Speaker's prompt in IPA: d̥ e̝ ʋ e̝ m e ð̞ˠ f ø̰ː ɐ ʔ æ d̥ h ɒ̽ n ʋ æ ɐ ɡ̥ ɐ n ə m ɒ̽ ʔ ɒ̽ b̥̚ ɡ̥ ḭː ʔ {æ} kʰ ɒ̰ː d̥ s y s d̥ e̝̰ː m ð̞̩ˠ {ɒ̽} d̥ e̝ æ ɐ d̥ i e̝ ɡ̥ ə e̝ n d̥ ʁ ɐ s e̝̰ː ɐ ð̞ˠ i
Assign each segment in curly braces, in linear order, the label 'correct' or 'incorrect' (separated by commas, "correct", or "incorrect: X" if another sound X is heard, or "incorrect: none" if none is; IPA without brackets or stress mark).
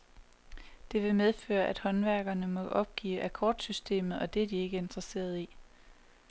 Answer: correct, correct